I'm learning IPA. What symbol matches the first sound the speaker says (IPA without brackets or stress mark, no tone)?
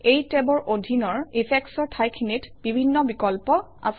e